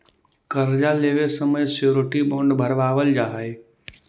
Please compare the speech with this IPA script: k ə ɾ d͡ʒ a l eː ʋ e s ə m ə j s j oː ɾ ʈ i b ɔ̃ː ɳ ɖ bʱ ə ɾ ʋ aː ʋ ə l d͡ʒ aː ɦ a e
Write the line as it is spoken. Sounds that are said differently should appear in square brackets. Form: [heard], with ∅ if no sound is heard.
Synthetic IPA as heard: k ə ɾ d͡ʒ a l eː ʋ e s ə m ə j s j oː ɾ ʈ i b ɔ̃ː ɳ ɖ bʱ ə ɾ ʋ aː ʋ ə l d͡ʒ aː ɦ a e